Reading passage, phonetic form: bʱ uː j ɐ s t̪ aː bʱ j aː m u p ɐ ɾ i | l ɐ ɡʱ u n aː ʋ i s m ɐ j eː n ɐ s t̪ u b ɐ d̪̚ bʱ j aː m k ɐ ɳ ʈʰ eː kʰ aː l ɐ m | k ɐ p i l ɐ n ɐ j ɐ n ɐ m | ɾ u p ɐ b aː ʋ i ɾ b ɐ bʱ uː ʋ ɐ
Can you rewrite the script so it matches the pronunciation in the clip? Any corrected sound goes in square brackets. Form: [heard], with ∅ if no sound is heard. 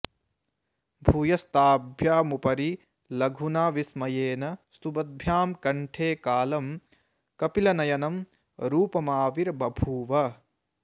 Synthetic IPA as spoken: bʱ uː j ɐ s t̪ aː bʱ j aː m u p ɐ ɾ i | l ɐ ɡʱ u n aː ʋ i s m ɐ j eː n ɐ s t̪ u b ɐ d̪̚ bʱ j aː m k ɐ ɳ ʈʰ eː [k] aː l ɐ m | k ɐ p i l ɐ n ɐ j ɐ n ɐ m | ɾ [uː] p ɐ [m] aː ʋ i ɾ b ɐ bʱ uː ʋ ɐ

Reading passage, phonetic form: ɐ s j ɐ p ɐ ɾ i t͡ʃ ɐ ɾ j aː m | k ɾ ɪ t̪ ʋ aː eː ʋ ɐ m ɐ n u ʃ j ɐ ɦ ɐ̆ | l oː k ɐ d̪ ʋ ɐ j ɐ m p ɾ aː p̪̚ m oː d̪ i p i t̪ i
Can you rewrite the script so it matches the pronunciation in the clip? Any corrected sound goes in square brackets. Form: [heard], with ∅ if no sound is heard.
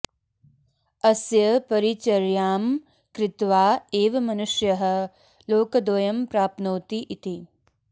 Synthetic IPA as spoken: ɐ s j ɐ p ɐ ɾ i t͡ʃ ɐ ɾ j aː m | k ɾ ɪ t̪ ʋ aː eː ʋ ɐ m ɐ n u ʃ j ɐ ɦ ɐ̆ | l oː k ɐ d̪ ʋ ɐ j ɐ m p ɾ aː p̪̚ [n] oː [t̪] i [ʔ] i t̪ i

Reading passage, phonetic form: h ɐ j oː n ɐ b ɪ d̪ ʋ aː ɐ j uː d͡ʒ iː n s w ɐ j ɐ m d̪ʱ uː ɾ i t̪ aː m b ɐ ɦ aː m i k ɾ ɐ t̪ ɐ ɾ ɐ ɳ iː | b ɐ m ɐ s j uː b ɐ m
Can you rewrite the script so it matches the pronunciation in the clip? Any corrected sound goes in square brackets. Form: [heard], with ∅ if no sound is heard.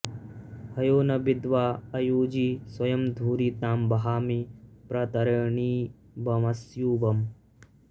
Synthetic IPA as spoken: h ɐ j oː n ɐ b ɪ d̪ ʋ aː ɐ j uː d͡ʒ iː [∅] s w ɐ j ɐ m d̪ʱ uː ɾ i t̪ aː m b ɐ ɦ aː m i [p] ɾ ɐ t̪ ɐ ɾ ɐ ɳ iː | b ɐ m ɐ s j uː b ɐ m

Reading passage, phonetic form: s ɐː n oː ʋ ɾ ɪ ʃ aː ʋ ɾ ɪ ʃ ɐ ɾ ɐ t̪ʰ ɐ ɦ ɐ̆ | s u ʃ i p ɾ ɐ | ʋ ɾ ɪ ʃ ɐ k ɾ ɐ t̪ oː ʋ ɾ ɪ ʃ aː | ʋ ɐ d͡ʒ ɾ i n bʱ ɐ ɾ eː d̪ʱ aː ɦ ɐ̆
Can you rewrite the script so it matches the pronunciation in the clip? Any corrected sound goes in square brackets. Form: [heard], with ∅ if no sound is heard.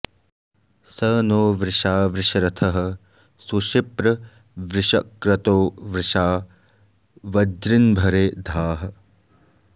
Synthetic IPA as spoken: s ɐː n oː ʋ ɾ ɪ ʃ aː ʋ ɾ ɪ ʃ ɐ ɾ ɐ t̪ʰ ɐ ɦ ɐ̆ | s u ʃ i p ɾ ɐ | ʋ ɾ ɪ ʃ ɐ k ɾ ɐ t̪ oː ʋ ɾ ɪ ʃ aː | ʋ ɐ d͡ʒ ɾ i n bʱ ɐ ɾ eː d̪ʱ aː ɦ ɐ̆

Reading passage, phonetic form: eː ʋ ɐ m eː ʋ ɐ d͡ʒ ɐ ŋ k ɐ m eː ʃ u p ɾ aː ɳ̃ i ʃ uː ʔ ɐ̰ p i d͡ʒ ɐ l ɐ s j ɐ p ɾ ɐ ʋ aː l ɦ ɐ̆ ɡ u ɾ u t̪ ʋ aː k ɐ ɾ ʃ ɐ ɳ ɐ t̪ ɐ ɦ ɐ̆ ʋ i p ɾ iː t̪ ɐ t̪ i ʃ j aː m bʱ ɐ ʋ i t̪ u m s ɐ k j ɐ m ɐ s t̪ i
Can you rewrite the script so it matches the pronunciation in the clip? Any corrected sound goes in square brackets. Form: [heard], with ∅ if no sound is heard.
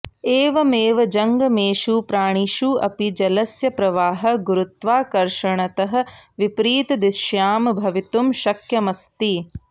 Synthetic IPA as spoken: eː ʋ ɐ m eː ʋ ɐ d͡ʒ ɐ ŋ [ɡ] ɐ m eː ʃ u p ɾ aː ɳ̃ i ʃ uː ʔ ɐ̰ p i d͡ʒ ɐ l ɐ s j ɐ p ɾ ɐ ʋ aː [∅] ɦ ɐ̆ ɡ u ɾ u t̪ ʋ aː k ɐ ɾ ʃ ɐ ɳ ɐ t̪ ɐ ɦ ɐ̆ ʋ i p ɾ iː t̪ ɐ [d̪] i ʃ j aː m bʱ ɐ ʋ i t̪ u m [ʃ] ɐ k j ɐ m ɐ s t̪ i

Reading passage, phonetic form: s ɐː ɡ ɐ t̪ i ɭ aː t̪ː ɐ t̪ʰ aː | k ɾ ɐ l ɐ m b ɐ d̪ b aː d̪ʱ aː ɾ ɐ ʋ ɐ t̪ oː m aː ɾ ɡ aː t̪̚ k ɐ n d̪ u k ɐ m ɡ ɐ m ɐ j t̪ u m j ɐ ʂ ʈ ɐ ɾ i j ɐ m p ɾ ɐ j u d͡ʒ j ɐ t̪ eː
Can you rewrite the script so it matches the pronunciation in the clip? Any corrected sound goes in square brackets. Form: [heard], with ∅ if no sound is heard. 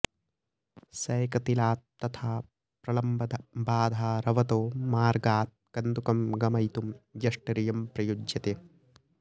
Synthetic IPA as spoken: s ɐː [k] ɐ t̪ i [l] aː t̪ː ɐ t̪ʰ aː | [p] ɾ ɐ l ɐ m b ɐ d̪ b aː d̪ʱ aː ɾ ɐ ʋ ɐ t̪ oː m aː ɾ ɡ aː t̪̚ k ɐ n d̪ u k ɐ m ɡ ɐ m ɐ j t̪ u m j ɐ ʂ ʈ ɐ ɾ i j ɐ m p ɾ ɐ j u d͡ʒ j ɐ t̪ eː

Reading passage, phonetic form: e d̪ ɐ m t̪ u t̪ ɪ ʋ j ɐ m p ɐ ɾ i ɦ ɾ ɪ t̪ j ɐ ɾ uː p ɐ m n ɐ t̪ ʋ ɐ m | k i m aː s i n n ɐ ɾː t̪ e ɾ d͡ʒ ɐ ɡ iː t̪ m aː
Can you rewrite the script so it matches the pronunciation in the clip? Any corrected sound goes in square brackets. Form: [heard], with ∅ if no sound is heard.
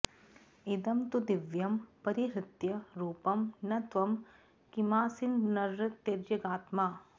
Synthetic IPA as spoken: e d̪ ɐ m t̪ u [d̪] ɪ ʋ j ɐ m p ɐ ɾ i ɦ ɾ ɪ t̪ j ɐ ɾ uː p ɐ m n ɐ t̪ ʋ ɐ m | k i m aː s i n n ɐ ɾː t̪ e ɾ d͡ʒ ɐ ɡ [aː] t̪ m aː

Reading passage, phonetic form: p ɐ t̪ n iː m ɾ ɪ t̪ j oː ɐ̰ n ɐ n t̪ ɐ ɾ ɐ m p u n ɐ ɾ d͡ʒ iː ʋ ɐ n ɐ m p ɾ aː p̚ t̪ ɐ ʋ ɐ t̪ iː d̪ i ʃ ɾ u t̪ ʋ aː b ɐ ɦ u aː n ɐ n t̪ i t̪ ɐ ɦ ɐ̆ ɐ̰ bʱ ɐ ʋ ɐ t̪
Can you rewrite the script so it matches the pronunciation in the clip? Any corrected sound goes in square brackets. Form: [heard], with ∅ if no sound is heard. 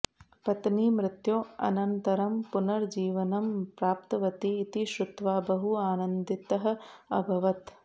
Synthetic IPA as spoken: p ɐ t̪ n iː m ɾ ɪ t̪ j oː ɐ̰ n ɐ n t̪ ɐ ɾ ɐ m p u n ɐ ɾ d͡ʒ iː ʋ ɐ n ɐ m p ɾ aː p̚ t̪ ɐ ʋ ɐ t̪ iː [t̪] i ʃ ɾ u t̪ ʋ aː b ɐ ɦ u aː n ɐ n [d̪] i t̪ ɐ ɦ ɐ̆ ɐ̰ bʱ ɐ ʋ ɐ t̪

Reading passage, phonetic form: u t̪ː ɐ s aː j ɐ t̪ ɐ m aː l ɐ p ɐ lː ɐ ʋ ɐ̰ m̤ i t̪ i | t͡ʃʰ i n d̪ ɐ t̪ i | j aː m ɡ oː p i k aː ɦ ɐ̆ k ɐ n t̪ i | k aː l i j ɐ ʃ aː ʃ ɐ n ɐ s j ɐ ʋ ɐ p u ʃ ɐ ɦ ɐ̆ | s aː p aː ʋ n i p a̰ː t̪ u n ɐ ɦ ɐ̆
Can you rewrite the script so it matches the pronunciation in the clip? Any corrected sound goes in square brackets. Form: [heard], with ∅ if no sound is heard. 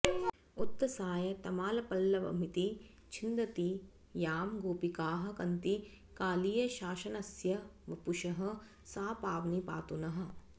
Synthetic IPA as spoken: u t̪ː ɐ s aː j ɐ t̪ ɐ m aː l ɐ p ɐ lː ɐ ʋ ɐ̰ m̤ i t̪ i | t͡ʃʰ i n d̪ ɐ t̪ i | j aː m ɡ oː p i k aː ɦ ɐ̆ k ɐ n t̪ i | k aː l i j ɐ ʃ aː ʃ ɐ n ɐ s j ɐ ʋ ɐ p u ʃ ɐ ɦ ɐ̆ | s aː p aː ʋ n i p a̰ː t̪ u n ɐ ɦ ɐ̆

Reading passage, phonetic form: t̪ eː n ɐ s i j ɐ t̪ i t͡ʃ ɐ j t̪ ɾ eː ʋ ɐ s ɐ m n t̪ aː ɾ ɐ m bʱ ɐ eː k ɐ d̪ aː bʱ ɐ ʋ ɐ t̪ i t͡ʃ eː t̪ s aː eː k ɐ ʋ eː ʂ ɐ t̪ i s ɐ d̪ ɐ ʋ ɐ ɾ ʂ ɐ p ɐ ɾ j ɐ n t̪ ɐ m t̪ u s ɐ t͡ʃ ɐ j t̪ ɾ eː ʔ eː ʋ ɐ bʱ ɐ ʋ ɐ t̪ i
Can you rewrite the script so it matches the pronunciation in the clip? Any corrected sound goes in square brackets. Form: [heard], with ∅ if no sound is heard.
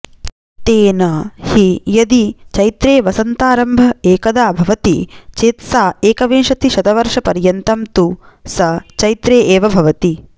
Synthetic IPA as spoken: t̪ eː n ɐ [h] i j ɐ [d̪] i t͡ʃ ɐ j t̪ ɾ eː ʋ ɐ s ɐ [∅] n t̪ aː ɾ ɐ m bʱ ɐ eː k ɐ d̪ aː bʱ ɐ ʋ ɐ t̪ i t͡ʃ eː t̪ s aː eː k ɐ ʋ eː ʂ ɐ t̪ i [ʃ] ɐ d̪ ɐ ʋ ɐ ɾ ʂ ɐ p ɐ ɾ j ɐ n t̪ ɐ m t̪ u s ɐ t͡ʃ ɐ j t̪ ɾ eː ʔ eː ʋ ɐ bʱ ɐ ʋ ɐ t̪ i

